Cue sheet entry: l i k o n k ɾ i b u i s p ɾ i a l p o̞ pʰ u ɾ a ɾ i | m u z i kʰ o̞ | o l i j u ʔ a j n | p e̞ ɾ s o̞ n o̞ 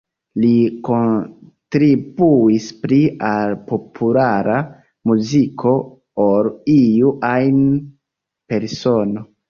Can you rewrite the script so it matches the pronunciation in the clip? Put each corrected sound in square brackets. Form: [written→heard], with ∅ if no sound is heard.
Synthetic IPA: l i k o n [k→t] ɾ i b u i s p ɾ i a l p o̞ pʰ u [ɾ→l] a ɾ [i→a] | m u z i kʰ o̞ | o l i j u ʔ a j n | p e̞ ɾ s o̞ n o̞